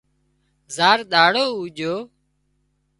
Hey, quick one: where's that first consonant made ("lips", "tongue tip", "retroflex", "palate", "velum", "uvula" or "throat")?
tongue tip